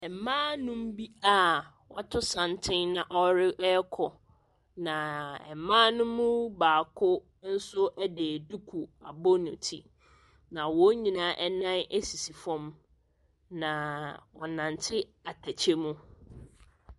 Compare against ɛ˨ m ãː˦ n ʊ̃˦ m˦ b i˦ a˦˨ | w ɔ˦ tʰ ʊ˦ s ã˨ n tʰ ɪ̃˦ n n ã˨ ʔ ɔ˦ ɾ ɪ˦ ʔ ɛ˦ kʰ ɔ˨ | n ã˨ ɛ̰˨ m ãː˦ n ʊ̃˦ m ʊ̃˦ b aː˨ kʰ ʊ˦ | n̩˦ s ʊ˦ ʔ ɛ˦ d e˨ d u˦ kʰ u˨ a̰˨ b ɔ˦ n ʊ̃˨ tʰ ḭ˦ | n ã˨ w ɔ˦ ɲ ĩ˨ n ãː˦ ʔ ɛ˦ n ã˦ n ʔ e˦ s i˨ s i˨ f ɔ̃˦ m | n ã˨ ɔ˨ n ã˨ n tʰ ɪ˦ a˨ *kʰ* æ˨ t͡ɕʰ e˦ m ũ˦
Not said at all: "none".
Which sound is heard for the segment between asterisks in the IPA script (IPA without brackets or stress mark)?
tʰ